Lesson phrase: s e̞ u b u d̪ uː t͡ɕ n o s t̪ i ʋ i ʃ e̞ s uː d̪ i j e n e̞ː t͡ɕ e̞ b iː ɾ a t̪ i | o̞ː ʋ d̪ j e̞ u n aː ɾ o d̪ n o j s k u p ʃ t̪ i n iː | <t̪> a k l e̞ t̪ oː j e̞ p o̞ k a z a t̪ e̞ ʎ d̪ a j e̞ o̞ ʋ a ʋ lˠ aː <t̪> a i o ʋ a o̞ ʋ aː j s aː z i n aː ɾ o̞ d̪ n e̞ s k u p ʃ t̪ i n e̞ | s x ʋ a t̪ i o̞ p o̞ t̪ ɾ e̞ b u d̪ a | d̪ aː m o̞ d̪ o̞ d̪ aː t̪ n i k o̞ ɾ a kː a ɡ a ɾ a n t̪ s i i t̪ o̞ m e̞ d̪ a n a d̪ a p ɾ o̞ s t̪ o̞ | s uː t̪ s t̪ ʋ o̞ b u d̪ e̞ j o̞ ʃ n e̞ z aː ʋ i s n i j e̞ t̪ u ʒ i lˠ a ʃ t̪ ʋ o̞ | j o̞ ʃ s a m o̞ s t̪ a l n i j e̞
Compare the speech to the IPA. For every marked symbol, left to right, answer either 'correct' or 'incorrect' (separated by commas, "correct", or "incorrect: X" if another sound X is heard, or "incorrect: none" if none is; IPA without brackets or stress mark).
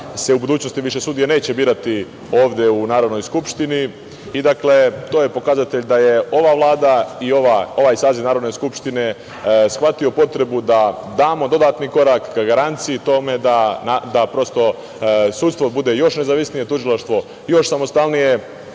incorrect: d̪, incorrect: d̪